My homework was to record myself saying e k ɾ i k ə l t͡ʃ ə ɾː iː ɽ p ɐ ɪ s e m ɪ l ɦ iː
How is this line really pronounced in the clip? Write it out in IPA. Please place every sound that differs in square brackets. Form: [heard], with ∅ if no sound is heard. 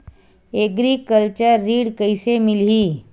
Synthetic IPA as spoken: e [ɡ] ɾ i k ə l t͡ʃ ə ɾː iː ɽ [k] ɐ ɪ s e m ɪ l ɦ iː